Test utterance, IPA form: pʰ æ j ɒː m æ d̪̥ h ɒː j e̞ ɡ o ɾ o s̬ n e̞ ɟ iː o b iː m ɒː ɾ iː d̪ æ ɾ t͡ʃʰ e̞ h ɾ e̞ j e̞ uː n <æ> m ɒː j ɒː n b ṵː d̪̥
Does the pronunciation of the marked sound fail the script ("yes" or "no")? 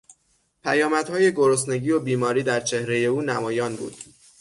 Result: no